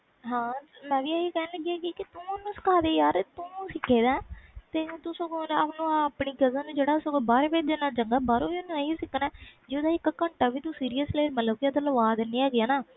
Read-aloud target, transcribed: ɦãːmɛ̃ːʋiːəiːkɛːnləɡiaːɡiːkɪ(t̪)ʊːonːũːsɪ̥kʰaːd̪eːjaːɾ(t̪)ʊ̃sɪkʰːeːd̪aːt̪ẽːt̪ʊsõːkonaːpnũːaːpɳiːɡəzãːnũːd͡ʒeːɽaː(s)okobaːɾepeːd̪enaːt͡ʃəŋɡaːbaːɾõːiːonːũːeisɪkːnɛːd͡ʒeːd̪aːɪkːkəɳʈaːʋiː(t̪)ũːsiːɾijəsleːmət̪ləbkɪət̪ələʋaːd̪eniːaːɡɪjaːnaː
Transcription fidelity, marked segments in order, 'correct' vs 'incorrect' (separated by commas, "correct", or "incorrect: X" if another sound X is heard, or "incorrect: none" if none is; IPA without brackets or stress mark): correct, correct, correct, correct